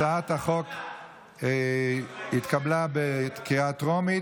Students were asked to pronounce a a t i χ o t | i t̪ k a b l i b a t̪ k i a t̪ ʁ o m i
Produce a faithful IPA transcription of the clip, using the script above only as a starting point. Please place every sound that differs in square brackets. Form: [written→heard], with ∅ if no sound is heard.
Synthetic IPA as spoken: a a t [i→a] χ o [t→k] | i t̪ k a b l [i→a] b [a→e] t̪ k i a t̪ ʁ o m i